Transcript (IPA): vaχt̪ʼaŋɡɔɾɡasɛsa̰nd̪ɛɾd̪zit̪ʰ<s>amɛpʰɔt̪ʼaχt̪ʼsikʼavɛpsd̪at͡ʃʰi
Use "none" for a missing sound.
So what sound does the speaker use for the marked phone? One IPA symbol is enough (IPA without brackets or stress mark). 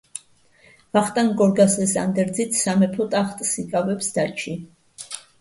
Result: s